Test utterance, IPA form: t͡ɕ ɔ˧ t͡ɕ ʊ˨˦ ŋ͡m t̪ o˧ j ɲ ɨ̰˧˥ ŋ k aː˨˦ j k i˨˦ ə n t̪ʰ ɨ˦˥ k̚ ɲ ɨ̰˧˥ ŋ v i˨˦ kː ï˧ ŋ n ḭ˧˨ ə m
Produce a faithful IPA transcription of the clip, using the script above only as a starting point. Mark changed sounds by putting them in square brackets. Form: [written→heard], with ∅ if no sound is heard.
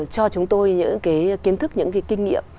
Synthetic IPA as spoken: t͡ɕ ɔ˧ t͡ɕ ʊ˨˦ ŋ͡m t̪ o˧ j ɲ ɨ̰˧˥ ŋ k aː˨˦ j k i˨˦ ə n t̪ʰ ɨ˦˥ k̚ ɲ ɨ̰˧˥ ŋ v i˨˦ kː ï˧ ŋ n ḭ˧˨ ə m